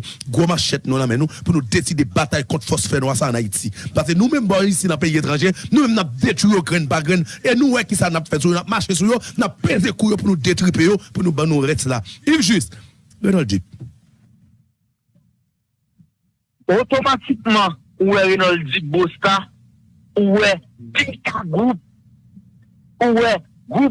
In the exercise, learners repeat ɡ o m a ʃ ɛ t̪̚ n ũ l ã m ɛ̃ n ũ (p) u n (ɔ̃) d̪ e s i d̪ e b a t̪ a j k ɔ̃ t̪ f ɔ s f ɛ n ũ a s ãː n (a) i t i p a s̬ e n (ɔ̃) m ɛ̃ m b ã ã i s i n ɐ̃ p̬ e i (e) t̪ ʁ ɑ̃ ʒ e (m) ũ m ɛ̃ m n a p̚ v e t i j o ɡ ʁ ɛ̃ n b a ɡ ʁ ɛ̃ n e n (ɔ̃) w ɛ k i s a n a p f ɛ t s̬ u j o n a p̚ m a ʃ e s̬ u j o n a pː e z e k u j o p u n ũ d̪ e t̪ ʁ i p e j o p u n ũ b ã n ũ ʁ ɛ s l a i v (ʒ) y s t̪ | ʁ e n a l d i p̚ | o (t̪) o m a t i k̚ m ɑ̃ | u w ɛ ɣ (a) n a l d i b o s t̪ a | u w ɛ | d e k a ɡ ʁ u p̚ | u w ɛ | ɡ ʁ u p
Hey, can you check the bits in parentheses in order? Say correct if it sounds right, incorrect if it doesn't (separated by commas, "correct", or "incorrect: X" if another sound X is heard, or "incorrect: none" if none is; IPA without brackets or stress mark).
correct, incorrect: ũ, correct, incorrect: ũ, correct, incorrect: n, incorrect: ũ, correct, correct, incorrect: e